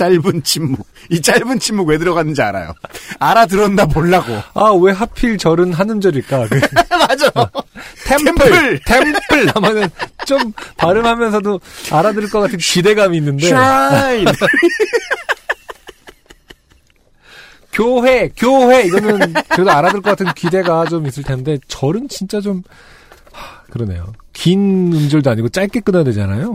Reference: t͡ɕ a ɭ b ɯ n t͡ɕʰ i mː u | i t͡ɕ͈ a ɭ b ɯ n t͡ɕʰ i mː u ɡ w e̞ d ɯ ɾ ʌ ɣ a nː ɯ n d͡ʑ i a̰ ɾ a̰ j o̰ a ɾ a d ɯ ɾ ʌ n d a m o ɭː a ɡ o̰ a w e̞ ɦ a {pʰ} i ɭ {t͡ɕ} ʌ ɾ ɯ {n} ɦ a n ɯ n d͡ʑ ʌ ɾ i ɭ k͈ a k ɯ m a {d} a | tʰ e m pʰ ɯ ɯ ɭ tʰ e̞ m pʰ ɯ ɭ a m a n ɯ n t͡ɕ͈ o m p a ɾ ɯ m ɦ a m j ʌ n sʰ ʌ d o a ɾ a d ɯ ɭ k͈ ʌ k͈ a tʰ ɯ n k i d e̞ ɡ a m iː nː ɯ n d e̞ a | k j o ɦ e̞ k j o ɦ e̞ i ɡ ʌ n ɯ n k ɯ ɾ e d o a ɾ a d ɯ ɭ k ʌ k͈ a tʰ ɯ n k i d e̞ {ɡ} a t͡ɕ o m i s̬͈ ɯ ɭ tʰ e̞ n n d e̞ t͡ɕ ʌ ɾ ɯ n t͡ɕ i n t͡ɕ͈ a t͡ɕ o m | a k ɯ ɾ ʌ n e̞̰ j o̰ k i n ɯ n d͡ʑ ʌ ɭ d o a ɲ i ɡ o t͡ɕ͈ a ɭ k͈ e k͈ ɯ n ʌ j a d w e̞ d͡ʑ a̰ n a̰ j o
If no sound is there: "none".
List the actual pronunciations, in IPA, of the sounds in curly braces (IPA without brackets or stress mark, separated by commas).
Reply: pʰ, t͡ɕ, n, d͡ʑ, ɡ